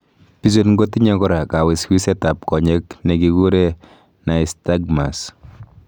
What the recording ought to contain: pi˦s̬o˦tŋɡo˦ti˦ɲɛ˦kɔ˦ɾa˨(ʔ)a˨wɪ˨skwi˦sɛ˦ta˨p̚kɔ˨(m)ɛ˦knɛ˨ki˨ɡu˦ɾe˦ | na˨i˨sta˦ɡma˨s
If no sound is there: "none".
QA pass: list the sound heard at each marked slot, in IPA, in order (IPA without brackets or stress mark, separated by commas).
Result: k, ɲ